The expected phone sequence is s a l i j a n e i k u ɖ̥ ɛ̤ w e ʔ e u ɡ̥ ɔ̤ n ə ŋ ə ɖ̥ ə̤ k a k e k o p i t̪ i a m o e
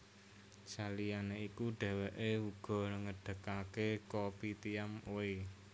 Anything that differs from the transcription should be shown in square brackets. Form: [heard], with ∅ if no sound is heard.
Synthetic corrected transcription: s a l i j a n e i k u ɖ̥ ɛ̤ w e ʔ e u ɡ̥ ɔ̤ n ə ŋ ə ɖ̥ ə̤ k a k e k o p i t̪ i a m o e